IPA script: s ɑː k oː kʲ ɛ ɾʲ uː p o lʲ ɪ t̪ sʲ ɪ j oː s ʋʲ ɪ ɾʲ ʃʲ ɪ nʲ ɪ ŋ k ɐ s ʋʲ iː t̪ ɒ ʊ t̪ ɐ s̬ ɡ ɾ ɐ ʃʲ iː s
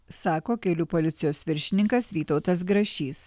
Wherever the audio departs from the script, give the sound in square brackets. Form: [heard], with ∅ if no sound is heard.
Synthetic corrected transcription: s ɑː k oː kʲ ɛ [lʲ] uː p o lʲ ɪ t̪ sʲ ɪ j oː s ʋʲ ɪ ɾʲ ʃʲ ɪ nʲ ɪ ŋ k ɐ s ʋʲ iː t̪ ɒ ʊ t̪ ɐ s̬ ɡ ɾ ɐ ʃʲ iː s